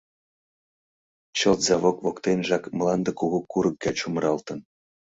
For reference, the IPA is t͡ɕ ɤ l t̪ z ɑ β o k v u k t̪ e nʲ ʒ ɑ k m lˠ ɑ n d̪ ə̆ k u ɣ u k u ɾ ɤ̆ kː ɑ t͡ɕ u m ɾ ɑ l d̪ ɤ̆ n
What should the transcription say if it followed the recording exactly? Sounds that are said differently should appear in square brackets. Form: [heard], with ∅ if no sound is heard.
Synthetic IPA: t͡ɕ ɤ l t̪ z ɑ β o k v [o] k t̪ e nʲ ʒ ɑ k m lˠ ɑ n d̪ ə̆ k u ɣ u k u ɾ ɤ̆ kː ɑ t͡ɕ u m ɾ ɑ l [t̪] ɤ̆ n